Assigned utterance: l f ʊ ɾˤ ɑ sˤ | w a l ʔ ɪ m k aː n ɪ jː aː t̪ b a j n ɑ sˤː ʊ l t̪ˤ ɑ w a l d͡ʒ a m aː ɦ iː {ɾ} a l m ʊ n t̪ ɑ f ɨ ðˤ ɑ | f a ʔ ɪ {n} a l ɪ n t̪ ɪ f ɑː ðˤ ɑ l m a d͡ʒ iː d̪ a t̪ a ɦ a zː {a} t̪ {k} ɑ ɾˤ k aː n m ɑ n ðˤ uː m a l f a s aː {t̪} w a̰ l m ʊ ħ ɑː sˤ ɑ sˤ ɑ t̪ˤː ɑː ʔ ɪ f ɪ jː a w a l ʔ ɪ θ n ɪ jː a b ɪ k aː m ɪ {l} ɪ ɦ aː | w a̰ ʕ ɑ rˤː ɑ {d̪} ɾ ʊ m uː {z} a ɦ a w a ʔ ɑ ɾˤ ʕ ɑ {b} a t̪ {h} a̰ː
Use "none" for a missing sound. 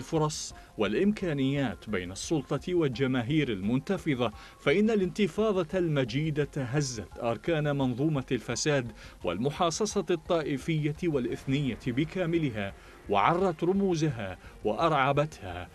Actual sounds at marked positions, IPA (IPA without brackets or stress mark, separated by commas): ɾ, nː, a, ʔ, d̪, l, t̪, z, b, h